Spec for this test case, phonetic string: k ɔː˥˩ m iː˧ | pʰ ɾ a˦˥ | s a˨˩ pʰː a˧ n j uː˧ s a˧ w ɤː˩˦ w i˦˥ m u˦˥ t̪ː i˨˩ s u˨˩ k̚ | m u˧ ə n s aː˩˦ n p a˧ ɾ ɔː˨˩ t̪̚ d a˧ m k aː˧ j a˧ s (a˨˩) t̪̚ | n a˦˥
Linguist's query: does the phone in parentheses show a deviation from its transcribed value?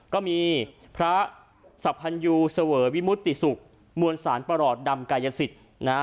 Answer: yes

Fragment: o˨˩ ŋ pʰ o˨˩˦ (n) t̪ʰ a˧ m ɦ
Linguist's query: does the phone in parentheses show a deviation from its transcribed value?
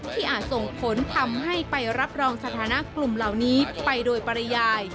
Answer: no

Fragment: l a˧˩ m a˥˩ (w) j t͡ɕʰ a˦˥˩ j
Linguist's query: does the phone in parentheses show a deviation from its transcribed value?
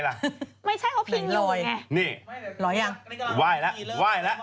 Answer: yes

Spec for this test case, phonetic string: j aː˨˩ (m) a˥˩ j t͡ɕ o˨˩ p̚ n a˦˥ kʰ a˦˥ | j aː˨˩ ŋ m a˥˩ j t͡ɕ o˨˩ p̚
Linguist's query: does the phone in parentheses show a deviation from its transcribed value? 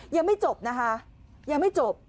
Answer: no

